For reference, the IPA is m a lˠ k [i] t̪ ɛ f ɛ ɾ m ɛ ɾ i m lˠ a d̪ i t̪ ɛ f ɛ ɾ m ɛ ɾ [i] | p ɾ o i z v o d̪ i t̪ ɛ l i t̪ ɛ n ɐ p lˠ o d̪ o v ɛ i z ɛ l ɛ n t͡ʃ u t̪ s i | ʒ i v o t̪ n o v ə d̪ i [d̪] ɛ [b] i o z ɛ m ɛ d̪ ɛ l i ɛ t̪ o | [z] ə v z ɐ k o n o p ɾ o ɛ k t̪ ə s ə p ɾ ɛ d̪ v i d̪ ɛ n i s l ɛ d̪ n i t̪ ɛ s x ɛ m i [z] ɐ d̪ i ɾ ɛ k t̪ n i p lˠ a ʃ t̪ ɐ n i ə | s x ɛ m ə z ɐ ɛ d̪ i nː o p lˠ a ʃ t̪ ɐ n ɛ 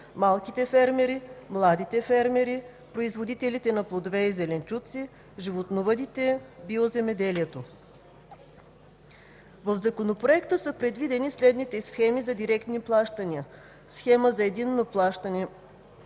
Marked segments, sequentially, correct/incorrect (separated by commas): correct, correct, incorrect, correct, incorrect, correct